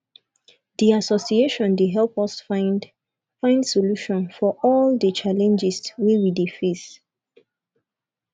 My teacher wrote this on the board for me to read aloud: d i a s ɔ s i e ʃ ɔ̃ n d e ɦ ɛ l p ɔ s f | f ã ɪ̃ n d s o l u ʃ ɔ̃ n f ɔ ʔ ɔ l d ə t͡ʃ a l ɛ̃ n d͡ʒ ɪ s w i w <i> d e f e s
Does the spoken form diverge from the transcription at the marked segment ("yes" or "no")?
no